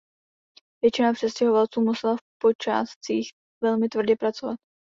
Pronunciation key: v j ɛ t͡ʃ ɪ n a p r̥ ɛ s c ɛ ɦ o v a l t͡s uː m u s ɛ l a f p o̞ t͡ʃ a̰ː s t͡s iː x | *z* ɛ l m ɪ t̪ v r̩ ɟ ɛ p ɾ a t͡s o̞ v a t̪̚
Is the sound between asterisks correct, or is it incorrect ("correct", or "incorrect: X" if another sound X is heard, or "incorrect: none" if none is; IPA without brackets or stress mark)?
incorrect: v